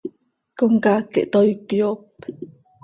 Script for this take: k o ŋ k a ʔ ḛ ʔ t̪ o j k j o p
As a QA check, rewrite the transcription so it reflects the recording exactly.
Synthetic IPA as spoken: k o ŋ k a k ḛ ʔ t̪ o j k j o p

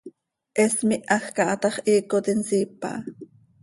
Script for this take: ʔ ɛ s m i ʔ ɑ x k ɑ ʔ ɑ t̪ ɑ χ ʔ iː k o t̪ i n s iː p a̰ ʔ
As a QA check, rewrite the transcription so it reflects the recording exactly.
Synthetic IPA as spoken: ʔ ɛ s m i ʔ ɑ x k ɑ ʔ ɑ t̪ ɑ χ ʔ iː k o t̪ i n s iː p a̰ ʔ

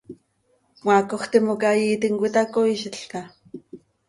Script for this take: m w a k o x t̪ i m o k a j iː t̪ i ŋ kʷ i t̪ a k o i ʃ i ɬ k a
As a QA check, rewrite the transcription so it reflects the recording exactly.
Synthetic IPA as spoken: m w a k o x t̪ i m o k a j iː t̪ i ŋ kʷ i t̪ a k o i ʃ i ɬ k a

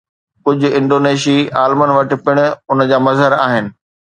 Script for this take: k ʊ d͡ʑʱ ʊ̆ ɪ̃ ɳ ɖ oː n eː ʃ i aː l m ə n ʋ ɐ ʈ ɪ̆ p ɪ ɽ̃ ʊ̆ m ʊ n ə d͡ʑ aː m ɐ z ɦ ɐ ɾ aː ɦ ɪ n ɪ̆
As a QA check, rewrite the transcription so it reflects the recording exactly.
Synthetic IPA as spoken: k ʊ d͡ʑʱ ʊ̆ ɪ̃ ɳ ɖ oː n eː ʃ i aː l m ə n ʋ ɐ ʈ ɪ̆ p ɪ ɽ̃ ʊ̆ ʊ n ə d͡ʑ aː m ɐ z ɦ ə ɾ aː ɦ ɪ n ɪ̆

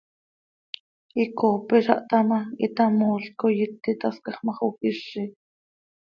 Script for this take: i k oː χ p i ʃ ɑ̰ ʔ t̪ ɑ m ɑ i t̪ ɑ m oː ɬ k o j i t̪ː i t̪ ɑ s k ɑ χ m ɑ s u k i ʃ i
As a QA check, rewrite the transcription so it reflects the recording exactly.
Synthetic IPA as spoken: i k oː p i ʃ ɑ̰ ʔ t̪ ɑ m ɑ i t̪ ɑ m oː ɬ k o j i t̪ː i t̪ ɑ s k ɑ χ m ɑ χ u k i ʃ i

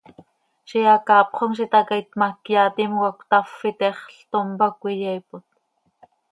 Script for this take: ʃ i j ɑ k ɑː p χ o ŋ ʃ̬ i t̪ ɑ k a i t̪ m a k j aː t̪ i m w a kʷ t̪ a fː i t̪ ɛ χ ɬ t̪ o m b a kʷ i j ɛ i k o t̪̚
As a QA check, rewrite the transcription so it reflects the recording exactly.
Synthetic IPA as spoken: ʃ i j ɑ k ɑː p χ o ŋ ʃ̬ i t̪ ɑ k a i t̪ m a k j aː t̪ i m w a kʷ t̪ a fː i t̪ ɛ χ ɬ t̪ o m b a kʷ i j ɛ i p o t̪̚

